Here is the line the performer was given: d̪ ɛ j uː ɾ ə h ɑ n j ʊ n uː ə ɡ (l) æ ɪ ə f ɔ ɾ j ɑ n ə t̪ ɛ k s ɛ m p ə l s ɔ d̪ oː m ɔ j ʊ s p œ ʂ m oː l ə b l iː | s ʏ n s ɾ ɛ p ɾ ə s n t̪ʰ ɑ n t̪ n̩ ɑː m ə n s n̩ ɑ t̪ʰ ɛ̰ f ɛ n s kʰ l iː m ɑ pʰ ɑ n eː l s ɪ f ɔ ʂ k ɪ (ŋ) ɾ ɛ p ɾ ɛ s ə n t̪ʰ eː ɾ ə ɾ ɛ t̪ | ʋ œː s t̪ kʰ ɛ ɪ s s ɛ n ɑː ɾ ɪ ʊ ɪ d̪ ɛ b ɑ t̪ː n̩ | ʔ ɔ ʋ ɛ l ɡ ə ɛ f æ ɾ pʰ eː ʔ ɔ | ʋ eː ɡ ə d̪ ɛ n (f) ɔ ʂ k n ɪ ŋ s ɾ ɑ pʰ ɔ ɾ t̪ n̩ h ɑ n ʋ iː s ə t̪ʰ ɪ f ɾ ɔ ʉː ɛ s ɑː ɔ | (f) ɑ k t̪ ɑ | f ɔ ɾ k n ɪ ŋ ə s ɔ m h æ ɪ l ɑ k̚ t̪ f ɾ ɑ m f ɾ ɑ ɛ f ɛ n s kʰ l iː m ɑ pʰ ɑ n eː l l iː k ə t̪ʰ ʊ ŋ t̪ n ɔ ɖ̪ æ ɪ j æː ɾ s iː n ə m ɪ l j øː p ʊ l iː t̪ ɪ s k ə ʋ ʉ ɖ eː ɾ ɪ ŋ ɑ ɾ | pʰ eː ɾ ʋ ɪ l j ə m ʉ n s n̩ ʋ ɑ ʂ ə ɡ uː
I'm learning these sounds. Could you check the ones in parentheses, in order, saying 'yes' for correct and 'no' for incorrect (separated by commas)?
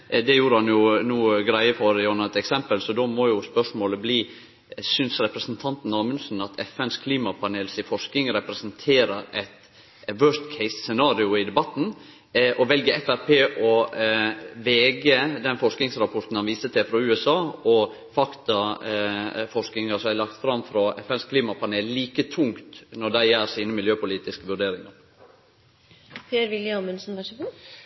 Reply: no, yes, yes, yes